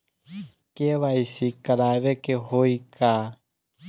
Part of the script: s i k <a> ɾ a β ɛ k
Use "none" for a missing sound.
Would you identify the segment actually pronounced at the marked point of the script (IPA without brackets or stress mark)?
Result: a